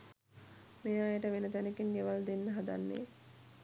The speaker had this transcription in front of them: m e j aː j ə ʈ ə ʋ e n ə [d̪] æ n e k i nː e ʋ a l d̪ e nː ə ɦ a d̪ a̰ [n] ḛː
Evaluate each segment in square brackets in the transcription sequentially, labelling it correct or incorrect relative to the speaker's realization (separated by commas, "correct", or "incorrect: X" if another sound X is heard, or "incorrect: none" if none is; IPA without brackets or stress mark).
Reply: incorrect: t̪, incorrect: nː